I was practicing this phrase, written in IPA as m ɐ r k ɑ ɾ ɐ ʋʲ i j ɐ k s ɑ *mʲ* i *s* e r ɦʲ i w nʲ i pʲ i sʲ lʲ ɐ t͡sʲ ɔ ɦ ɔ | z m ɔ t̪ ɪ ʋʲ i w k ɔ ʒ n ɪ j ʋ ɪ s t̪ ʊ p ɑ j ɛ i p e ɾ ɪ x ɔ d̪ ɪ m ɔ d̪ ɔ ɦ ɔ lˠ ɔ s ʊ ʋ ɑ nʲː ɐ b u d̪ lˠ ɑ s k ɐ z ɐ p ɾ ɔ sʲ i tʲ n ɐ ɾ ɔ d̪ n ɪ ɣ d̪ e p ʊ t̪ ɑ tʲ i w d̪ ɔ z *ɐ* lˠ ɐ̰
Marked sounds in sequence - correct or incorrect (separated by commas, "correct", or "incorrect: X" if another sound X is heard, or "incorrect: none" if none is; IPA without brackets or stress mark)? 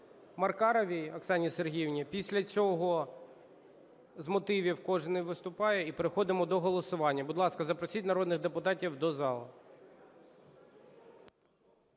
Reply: incorrect: nʲ, correct, incorrect: ɑ